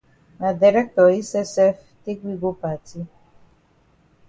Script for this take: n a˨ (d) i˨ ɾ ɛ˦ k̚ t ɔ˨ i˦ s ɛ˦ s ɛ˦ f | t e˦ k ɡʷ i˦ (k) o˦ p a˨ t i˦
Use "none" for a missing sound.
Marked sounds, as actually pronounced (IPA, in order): d, ɡ

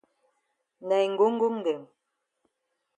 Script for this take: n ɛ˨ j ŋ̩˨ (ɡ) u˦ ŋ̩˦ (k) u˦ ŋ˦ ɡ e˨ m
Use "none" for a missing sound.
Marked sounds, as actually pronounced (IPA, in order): ɡ, ɡ

